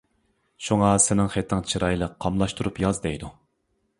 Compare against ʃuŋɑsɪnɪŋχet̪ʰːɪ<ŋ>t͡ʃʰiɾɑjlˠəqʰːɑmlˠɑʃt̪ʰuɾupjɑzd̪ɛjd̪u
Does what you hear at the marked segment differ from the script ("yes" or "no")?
no